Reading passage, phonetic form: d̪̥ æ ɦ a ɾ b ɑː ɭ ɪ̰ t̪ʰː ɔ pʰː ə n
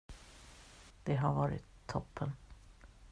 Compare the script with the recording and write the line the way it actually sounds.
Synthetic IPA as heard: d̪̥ ɛ ɦ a ɾ v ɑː ɾ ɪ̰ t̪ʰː ɔ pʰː ə n

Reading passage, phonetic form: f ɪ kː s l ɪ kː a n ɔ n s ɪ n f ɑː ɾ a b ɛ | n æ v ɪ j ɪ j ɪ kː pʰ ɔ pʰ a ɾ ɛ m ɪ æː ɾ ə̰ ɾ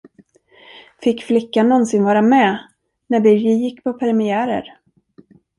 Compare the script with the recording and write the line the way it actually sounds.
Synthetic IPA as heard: f ɪ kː f l ɪ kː a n ɔ n s ɪ n v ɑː ɾ a m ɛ | n æ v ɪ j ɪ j ɪ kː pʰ ɔ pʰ ɛ ɾ ɛ m ɪ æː ɾ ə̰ ɾ

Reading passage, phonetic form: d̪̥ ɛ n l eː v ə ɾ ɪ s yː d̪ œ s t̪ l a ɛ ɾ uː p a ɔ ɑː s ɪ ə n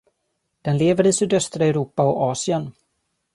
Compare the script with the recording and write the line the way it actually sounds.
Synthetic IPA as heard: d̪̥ ɛ n l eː v ə ɾ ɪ s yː d̪ œ s t̪ ɾ a ɛ ɾ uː p a ɔ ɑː s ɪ ə n

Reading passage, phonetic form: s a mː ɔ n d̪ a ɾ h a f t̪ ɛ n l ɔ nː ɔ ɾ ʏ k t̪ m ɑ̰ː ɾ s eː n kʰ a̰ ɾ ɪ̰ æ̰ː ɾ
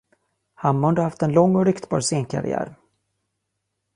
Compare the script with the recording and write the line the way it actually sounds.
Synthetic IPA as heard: h a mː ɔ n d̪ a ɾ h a f t̪ ɛ n l ɔ ŋː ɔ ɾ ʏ k t̪ b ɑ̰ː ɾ s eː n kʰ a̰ ɾ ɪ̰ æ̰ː ɾ

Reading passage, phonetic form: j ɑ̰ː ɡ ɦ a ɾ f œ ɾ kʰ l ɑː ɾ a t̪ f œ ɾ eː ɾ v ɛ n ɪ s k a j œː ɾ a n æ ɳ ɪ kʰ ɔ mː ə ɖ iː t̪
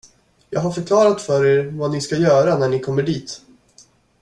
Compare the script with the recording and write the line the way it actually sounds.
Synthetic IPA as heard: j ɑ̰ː ɡ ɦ a ɾ f œ ɾ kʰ l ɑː ɾ a t̪ f œ ɾ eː ɾ v a n ɪ s k a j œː ɾ a n æ ɳ ɪ kʰ ɔ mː ə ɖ iː t̪

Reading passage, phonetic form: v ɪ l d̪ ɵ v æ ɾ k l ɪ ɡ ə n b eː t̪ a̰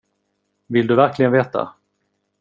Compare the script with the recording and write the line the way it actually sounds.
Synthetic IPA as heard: v ɪ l d̪ ɵ v æ ɾ k l ɪ ɡ ə n v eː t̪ a̰

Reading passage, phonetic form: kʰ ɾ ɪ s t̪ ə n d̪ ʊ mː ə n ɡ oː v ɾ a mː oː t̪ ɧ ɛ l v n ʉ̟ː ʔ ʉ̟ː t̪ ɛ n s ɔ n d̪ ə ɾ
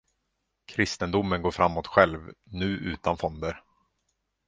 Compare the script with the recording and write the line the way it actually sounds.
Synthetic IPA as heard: kʰ ɾ ɪ s t̪ ə n d̪ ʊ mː ə n ɡ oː f ɾ a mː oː t̪ ɧ ɛ l v n ʉ̟ː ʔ ʉ̟ː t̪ a n f ɔ n d̪ ə ɾ

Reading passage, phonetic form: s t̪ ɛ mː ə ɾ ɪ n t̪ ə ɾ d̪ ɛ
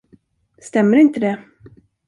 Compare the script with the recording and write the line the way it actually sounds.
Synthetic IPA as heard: s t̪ ɛ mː ə ɾ ɪ n t̪ ə d̪ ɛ

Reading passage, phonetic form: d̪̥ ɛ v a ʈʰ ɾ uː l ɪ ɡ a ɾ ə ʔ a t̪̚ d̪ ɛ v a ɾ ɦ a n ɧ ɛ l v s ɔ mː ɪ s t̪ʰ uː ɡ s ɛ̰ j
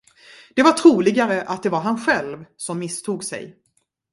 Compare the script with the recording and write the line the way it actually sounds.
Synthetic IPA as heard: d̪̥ ɛ v a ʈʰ ɾ uː l ɪ ɡ a ɾ ə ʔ a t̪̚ d̪ ɛ v a ɾ ɦ a n ɧ ɛ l v s ɔ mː ɪ s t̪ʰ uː ɡ s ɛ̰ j

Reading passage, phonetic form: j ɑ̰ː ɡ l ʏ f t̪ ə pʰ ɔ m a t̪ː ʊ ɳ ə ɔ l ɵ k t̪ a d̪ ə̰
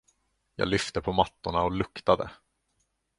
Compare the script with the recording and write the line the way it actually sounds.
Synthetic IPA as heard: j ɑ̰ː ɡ l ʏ f t̪ ə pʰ ɔ m a t̪ː ʊ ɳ a ɔ l ɵ k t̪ a d̪ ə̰

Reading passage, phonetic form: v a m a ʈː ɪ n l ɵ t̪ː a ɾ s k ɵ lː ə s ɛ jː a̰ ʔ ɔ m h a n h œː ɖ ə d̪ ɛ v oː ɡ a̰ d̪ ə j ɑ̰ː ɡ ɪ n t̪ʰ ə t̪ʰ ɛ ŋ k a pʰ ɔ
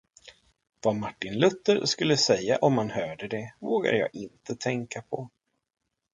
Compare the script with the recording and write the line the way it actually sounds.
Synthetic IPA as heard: v a m a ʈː ɪ n l ɵ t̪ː ə ɾ s k ɵ lː ə s ɛ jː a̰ ʔ ɔ m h a n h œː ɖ ə d̪ ɛ v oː ɡ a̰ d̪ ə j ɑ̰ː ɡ ɪ n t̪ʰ ə t̪ʰ ɛ ŋ k a pʰ ɔ

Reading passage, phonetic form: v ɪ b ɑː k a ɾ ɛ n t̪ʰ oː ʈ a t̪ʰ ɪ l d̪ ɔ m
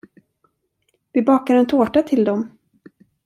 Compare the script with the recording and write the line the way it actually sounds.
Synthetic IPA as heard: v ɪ b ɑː k a ɾ ɛ n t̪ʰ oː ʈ a t̪ʰ ɪ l d̪ ɔ m

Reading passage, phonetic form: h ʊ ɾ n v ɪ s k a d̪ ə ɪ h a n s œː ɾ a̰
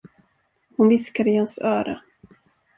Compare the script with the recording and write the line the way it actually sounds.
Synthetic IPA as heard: h ʊ n v ɪ s k a d̪ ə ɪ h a n s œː ɾ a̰

